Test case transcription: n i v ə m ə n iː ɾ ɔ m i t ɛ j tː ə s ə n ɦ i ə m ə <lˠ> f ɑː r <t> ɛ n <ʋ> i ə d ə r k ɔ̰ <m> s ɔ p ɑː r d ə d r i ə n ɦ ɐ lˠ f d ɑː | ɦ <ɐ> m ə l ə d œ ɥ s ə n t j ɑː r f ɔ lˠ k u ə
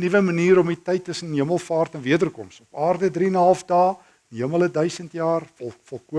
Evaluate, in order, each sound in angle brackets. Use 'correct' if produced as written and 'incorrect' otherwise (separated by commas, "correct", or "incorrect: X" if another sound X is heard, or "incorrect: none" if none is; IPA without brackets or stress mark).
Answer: correct, correct, incorrect: v, correct, incorrect: ə